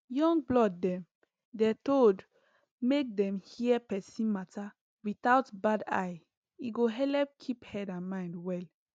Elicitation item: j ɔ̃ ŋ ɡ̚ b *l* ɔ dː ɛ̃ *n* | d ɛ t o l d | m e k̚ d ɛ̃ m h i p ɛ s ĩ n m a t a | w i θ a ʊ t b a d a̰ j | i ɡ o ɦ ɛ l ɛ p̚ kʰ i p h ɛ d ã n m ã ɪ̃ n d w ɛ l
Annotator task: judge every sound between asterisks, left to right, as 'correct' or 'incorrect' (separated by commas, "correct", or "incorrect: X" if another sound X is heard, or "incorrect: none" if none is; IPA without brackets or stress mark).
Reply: correct, incorrect: m